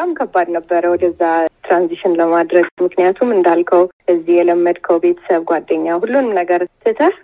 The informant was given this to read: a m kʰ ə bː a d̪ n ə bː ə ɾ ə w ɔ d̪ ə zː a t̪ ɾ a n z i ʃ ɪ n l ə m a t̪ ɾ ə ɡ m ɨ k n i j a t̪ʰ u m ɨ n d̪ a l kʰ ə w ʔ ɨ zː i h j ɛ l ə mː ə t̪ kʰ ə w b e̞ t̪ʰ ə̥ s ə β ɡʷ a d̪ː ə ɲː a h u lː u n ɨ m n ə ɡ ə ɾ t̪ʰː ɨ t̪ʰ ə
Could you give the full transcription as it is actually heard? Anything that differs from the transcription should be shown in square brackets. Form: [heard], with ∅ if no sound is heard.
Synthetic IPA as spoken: a m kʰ ə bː a d̪ n ə bː ə ɾ ə w ɔ d̪ ə zː a t̪ ɾ a n z i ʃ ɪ n l ə m a [d̪] ɾ ə ɡ m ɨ k n i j a t̪ʰ u m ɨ n d̪ a l kʰ ə w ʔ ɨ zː i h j ɛ l ə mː ə [d̪] kʰ ə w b e̞ t̪ʰ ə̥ s ə β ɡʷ a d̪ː ə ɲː a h u lː u n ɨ m n ə ɡ ə ɾ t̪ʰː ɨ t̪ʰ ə